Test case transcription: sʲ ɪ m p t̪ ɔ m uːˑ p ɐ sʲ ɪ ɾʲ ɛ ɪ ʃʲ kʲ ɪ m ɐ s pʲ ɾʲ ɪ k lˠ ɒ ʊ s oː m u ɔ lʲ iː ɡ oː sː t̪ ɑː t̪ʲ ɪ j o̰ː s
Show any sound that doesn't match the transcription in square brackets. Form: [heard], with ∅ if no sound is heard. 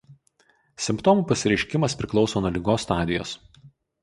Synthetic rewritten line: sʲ ɪ m p t̪ ɔ m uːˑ p ɐ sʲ ɪ ɾʲ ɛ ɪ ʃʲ kʲ ɪ m ɐ s pʲ ɾʲ ɪ k lˠ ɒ ʊ s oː [n] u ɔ lʲ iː ɡ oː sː t̪ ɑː [d̪ʲ] ɪ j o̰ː s